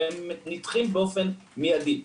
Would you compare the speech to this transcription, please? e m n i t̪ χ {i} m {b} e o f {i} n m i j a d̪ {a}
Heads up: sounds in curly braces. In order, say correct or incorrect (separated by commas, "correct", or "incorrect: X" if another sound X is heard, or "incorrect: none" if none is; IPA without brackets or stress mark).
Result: correct, correct, incorrect: e, incorrect: i